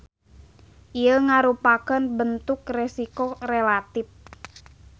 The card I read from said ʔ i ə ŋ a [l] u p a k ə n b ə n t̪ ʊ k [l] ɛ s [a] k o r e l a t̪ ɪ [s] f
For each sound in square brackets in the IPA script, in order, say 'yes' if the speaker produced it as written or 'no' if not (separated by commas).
no, no, no, no